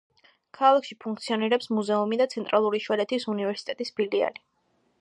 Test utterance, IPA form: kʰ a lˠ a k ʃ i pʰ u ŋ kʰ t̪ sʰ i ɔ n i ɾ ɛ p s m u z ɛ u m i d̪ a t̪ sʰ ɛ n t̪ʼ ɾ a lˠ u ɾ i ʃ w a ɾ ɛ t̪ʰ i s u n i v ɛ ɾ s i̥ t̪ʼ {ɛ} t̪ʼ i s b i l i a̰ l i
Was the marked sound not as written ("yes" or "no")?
no